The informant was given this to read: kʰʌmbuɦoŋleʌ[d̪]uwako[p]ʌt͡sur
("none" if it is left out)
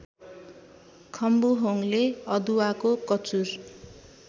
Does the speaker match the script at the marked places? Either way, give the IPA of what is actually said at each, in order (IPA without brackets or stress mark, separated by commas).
d̪, k